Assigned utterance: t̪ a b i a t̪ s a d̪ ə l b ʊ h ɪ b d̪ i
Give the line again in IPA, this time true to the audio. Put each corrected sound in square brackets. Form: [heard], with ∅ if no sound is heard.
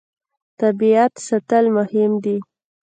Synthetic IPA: t̪ a b i a t̪ s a [t̪] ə l [m] ʊ h ɪ [m] d̪ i